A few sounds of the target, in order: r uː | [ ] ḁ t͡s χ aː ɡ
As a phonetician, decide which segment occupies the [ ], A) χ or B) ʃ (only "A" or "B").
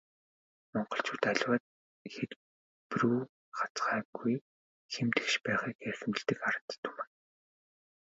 A